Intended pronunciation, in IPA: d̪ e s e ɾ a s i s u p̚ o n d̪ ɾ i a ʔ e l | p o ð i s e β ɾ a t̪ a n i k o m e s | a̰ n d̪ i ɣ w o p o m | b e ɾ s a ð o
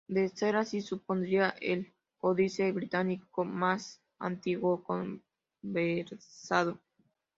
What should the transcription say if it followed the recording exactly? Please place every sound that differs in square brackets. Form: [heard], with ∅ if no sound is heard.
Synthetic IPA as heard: d̪ e s e ɾ a s i s u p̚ o n d̪ ɾ i a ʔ e l | [k] o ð i s e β ɾ [i] t̪ a n i k o m [a] s | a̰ n [t̪] i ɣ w o [k] o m | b e ɾ s a ð o